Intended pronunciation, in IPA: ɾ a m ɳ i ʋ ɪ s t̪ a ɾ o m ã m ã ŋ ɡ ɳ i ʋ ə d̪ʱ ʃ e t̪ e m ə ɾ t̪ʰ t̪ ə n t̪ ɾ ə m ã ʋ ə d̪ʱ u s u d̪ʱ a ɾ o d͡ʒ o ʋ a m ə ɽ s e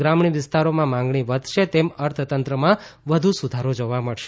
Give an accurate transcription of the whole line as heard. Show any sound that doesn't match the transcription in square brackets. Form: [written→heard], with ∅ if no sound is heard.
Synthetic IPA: ɾ a m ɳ i ʋ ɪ s t̪ a ɾ o m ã m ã ŋ ɡ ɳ i ʋ ə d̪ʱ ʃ e t̪ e m ə ɾ t̪ʰ t̪ ə n t̪ ɾ ə m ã ʋ ə d̪ʱ u s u d̪ʱ a ɾ o d͡ʒ o ʋ a m ə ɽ [s→ʃ] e